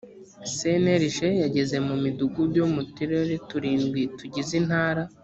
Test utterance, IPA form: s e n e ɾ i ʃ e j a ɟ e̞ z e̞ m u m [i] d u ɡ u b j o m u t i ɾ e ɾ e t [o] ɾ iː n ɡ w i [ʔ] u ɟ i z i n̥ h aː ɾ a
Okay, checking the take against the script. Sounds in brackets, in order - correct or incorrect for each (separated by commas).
correct, incorrect, incorrect